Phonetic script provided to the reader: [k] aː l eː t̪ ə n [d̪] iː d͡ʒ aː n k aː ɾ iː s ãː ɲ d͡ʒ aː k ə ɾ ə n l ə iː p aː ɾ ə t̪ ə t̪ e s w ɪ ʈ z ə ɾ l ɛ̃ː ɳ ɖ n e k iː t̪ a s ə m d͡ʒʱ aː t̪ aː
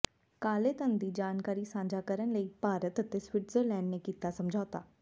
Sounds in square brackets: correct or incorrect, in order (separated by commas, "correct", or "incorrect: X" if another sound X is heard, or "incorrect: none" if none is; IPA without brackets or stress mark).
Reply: correct, correct